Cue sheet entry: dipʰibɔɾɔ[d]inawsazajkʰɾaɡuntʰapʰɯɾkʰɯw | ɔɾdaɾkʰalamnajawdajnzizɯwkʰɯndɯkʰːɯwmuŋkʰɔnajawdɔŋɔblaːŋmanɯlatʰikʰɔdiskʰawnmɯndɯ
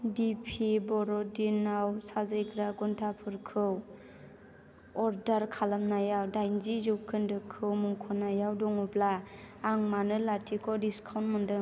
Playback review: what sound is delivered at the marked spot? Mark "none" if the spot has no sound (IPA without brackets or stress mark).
d